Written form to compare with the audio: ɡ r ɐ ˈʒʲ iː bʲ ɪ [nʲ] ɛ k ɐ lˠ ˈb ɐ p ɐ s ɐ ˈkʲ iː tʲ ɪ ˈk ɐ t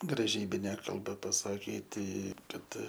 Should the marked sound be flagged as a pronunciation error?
no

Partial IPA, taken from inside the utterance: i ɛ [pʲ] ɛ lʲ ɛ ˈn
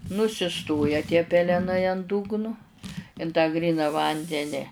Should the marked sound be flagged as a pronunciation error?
no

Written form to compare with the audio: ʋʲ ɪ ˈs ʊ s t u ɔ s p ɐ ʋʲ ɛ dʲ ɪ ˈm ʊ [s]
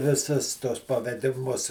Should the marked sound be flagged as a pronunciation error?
no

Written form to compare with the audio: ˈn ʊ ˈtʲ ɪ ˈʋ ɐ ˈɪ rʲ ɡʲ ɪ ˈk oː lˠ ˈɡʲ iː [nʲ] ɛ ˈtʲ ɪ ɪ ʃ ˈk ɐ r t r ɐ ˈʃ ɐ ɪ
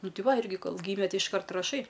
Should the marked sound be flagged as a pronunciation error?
yes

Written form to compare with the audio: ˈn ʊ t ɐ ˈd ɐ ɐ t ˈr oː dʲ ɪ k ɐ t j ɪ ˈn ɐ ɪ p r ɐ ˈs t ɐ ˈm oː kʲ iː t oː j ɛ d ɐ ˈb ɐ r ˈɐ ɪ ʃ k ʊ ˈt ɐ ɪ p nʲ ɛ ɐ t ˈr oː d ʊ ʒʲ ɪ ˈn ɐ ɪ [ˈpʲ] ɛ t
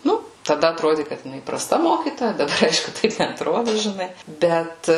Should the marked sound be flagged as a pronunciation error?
yes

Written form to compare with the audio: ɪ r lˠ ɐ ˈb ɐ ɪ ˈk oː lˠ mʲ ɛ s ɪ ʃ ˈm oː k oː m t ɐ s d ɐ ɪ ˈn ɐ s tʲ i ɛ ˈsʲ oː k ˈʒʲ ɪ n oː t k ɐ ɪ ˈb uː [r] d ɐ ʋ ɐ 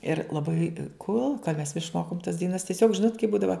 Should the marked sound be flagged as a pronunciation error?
yes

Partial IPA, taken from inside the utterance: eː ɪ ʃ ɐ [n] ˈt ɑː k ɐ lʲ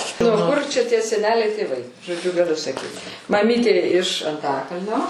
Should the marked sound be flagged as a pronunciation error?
no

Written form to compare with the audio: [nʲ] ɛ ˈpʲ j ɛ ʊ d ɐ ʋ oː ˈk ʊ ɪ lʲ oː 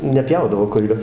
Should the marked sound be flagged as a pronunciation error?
no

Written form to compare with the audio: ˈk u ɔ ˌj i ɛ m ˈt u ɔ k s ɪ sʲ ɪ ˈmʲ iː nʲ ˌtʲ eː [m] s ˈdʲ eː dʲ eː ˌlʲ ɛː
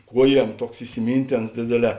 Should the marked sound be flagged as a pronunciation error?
yes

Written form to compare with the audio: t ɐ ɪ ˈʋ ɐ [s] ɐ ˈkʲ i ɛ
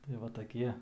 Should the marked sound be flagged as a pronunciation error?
yes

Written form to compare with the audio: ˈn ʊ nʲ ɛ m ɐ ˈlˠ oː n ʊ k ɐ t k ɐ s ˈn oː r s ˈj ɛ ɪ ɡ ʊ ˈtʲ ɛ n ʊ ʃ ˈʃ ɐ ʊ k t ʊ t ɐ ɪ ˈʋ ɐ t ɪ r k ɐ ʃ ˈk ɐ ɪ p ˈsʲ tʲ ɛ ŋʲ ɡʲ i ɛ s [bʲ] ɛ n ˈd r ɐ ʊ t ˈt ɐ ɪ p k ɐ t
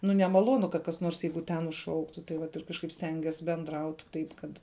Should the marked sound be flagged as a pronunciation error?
no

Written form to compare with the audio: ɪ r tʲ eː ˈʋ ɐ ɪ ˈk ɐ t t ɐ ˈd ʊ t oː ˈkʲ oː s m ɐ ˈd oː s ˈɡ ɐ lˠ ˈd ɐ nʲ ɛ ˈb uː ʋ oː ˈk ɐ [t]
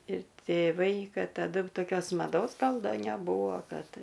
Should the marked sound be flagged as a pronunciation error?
no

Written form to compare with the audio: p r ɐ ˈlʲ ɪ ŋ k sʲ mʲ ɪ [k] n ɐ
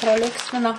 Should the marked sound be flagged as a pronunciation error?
yes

